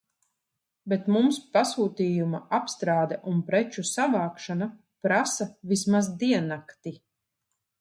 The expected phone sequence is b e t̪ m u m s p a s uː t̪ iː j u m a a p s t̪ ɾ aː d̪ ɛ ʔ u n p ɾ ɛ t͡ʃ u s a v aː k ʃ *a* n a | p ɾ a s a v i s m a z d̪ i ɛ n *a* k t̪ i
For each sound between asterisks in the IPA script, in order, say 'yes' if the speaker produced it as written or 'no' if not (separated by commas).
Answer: yes, yes